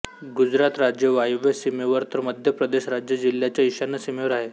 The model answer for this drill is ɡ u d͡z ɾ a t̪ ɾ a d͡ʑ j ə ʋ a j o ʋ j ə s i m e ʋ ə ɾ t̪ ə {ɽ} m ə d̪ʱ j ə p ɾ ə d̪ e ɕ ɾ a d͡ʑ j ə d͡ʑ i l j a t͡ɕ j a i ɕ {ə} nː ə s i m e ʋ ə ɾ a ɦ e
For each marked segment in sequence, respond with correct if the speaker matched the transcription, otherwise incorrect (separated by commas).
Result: incorrect, incorrect